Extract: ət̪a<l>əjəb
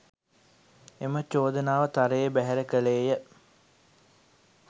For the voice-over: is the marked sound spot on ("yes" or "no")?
no